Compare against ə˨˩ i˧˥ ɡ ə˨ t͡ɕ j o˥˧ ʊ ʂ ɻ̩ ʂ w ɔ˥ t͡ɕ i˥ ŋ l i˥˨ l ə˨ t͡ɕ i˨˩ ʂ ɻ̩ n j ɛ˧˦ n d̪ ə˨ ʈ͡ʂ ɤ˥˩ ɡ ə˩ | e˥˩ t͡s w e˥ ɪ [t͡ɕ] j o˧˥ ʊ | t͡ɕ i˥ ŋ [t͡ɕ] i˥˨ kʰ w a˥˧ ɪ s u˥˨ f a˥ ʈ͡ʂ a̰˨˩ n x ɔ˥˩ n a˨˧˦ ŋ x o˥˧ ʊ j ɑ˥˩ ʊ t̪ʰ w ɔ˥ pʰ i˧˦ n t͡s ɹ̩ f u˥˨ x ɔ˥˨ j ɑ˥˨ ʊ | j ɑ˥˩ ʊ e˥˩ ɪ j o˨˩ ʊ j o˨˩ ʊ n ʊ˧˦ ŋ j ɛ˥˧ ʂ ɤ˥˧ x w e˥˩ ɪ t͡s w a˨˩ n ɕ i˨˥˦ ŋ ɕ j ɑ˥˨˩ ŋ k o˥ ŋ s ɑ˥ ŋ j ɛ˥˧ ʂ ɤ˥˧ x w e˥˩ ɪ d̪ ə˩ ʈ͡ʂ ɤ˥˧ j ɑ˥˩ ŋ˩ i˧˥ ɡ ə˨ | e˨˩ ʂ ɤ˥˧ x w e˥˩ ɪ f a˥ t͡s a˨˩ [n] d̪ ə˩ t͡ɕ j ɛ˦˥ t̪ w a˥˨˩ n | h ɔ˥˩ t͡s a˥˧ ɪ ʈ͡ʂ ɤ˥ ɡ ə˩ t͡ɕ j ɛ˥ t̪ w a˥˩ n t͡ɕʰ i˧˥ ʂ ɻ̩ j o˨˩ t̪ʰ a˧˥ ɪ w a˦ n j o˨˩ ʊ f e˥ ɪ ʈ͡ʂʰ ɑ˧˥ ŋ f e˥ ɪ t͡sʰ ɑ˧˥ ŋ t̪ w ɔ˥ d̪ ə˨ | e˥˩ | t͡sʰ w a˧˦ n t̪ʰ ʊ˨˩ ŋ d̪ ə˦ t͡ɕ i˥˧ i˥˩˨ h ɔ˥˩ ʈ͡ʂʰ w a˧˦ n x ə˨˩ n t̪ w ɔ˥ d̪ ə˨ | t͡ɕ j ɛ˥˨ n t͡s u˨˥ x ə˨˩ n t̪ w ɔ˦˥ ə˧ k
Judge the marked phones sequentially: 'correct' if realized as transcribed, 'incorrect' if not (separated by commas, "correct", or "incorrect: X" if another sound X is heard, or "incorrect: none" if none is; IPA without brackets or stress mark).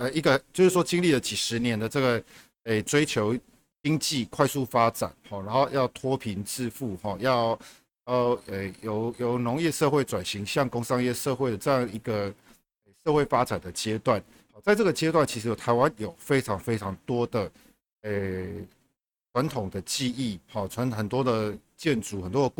incorrect: t͡ɕʰ, correct, correct